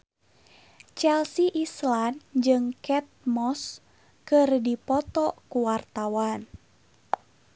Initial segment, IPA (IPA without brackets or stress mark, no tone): t͡ʃ